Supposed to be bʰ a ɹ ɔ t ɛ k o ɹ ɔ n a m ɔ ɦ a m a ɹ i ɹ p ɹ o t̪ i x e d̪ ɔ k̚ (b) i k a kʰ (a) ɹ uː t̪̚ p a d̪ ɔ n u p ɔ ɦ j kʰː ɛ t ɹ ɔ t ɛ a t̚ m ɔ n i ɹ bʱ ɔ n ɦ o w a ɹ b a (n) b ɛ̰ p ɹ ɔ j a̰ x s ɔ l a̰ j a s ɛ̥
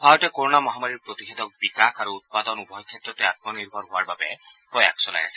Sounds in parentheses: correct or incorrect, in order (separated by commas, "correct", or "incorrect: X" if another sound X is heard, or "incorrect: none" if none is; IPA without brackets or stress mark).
correct, correct, incorrect: none